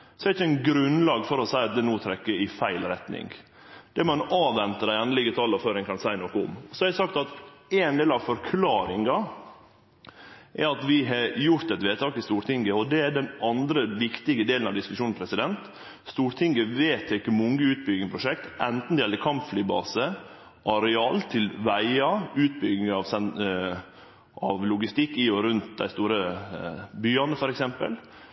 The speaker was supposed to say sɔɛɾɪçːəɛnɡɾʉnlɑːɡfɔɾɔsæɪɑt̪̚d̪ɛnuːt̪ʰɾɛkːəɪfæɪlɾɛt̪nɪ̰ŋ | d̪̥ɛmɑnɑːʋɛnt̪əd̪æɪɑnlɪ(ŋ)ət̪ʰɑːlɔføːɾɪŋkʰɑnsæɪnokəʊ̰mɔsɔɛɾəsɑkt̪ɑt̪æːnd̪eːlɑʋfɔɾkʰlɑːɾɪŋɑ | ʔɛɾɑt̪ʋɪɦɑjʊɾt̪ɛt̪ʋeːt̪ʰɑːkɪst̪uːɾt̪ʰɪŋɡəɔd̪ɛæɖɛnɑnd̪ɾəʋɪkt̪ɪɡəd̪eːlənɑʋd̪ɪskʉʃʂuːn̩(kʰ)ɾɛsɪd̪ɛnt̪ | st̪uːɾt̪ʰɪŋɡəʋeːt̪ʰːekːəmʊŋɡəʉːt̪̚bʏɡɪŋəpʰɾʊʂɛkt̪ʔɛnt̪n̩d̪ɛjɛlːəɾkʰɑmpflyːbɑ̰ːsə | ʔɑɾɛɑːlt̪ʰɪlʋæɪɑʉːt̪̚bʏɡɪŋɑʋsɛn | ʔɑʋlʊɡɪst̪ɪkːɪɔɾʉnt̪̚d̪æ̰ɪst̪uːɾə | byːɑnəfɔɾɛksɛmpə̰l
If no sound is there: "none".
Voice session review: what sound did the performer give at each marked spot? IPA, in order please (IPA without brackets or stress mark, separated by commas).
ɡ, pʰ